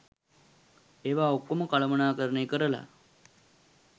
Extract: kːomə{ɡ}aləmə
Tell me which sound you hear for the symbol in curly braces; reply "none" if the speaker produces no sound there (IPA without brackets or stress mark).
k